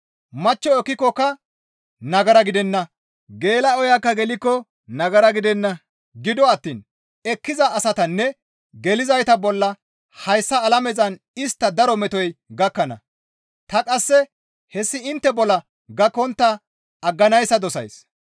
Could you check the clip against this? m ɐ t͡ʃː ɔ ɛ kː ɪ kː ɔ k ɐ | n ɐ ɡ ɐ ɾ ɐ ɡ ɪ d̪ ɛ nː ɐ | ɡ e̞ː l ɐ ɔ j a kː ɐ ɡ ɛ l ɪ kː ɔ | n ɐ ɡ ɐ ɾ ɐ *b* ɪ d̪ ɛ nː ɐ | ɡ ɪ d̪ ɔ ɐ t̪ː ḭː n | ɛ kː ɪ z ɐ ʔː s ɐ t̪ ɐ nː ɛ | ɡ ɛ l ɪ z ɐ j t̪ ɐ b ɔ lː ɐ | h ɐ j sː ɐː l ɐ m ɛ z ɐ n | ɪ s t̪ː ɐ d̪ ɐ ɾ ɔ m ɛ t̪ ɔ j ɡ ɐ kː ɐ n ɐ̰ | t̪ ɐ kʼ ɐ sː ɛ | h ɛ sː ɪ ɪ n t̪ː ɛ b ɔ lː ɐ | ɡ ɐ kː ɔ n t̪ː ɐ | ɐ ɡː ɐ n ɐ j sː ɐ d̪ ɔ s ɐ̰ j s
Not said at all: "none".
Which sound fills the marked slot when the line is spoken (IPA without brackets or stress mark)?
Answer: ɡ